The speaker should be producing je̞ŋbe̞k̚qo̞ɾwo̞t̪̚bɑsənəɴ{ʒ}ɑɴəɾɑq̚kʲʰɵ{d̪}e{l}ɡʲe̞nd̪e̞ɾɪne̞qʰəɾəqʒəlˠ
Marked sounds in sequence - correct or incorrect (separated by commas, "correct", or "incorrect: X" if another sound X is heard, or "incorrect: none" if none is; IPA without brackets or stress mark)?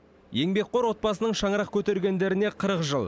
incorrect: ʃ, incorrect: t̪, incorrect: ɾ